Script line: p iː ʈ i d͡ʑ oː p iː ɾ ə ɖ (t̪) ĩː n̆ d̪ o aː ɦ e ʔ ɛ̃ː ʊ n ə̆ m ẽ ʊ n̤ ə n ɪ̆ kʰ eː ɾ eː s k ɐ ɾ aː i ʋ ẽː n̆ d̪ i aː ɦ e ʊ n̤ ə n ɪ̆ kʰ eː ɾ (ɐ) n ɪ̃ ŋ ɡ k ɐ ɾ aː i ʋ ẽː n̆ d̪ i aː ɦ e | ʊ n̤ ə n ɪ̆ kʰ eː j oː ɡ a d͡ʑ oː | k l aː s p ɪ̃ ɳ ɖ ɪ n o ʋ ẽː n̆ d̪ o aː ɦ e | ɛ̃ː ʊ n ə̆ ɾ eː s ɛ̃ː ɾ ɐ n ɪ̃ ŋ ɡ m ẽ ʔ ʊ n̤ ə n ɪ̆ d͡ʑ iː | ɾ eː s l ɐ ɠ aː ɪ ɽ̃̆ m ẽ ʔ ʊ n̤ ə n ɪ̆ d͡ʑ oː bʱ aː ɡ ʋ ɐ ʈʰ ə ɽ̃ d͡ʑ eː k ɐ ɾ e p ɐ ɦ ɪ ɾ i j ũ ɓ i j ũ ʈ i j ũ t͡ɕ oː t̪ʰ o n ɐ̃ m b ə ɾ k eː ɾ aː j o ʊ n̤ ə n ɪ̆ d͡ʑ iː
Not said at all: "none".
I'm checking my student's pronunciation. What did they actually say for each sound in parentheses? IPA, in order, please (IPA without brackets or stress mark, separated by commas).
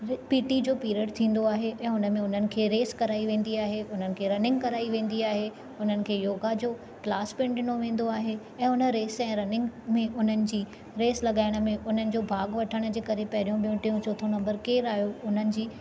t̪ʰ, ɐ